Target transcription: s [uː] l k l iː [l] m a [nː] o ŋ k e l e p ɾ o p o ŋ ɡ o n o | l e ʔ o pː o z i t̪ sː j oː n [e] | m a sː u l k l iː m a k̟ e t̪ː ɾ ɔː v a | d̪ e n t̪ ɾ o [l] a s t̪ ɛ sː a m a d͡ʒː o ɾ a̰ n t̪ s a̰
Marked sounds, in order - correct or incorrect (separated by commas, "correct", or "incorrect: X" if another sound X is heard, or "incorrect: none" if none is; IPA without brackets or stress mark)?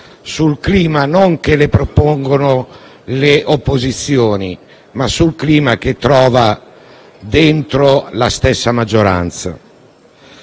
incorrect: u, incorrect: none, incorrect: n, incorrect: i, correct